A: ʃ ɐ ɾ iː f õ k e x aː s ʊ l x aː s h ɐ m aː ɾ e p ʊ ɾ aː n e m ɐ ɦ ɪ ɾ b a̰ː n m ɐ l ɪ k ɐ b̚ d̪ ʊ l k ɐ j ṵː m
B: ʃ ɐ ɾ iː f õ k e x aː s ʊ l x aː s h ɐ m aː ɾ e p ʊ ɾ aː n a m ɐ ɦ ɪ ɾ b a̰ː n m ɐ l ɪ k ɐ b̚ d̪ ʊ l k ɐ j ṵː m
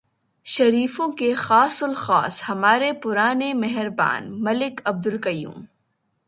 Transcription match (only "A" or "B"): A